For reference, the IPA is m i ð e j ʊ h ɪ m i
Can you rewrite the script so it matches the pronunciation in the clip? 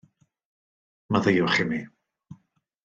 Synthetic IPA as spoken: m a ð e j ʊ χ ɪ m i